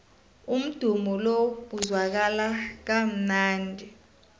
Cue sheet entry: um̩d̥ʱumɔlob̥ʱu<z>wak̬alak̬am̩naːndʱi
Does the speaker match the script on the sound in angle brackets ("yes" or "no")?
yes